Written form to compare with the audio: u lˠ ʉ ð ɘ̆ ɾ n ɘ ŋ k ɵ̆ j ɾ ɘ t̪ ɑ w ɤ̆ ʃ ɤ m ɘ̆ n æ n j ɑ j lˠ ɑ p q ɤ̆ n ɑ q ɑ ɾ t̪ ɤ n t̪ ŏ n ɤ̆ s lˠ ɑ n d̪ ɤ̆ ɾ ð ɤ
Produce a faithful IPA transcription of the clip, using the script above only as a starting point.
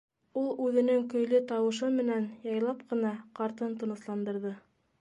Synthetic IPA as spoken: u lˠ ʉ ð ɘ̆ n ɘ ŋ k ɵ̆ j l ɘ t̪ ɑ w ɤ̆ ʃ ɤ m ɘ̆ n æ n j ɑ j lˠ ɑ p q ɤ̆ n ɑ q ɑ ɾ t̪ ɤ n t̪ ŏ n ɤ̆ s lˠ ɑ n d̪ ɤ̆ ɾ ð ɤ